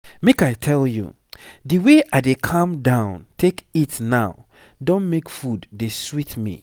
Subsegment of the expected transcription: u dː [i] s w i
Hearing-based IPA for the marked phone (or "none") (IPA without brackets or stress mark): e